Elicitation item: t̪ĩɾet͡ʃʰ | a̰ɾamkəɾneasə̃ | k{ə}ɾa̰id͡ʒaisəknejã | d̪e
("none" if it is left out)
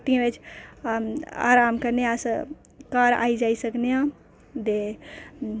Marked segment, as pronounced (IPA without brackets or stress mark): a